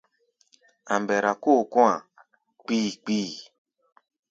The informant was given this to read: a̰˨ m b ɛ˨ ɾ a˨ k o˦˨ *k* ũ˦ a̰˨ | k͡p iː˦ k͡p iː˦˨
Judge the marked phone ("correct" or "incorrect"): correct